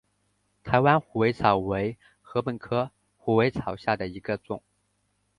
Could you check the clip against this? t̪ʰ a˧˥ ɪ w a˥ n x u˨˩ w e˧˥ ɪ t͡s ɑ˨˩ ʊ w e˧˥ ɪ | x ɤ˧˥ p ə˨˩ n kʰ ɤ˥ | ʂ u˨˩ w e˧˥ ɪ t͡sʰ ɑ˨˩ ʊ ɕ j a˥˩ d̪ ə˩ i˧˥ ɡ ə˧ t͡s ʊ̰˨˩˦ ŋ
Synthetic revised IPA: t̪ʰ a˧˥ ɪ w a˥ n x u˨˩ w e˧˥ ɪ t͡sʰ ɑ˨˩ ʊ w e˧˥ ɪ | x ɤ˧˥ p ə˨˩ n kʰ ɤ˥ | x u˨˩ w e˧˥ ɪ t͡sʰ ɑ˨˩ ʊ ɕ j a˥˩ d̪ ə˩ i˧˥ ɡ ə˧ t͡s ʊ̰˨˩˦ ŋ